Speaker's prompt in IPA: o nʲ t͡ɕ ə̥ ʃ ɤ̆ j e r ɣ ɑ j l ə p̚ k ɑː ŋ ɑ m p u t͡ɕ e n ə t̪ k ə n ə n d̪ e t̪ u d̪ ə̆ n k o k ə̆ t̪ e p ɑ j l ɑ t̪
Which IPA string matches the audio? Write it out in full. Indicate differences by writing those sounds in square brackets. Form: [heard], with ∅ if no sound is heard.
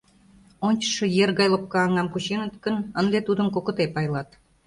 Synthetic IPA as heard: o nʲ t͡ɕ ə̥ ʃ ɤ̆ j e r ɣ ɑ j l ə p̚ k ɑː ŋ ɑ m [k] u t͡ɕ e n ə t̪ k ə n ə n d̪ e t̪ u d̪ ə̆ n k o k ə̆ t̪ e p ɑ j l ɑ t̪